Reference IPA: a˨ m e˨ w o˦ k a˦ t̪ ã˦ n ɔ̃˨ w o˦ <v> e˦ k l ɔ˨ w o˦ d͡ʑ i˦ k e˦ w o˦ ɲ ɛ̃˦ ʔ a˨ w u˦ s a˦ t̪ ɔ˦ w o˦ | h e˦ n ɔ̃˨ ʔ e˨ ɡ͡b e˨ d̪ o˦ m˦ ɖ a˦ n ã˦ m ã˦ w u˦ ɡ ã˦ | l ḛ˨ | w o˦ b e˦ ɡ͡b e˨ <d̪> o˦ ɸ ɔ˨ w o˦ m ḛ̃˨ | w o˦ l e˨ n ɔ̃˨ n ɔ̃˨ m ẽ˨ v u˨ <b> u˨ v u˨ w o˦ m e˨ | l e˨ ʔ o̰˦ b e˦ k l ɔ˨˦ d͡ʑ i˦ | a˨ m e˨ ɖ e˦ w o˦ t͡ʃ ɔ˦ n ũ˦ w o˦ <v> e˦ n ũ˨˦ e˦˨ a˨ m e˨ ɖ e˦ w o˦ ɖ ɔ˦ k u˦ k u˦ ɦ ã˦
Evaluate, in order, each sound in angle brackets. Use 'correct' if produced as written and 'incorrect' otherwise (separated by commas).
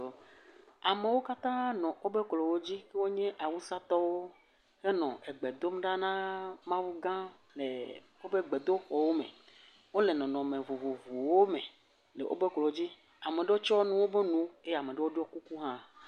incorrect, correct, incorrect, incorrect